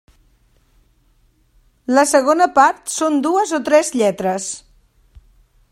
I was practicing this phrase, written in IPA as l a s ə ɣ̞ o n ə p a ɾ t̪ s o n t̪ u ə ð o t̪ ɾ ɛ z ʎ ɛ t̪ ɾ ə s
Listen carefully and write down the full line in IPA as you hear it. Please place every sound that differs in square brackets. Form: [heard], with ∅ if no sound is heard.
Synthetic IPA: l [ə] s ə ɣ̞ o n ə p a ɾ t̪ s o n [d̪] u ə [z] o t̪ ɾ ɛ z ʎ ɛ t̪ ɾ ə s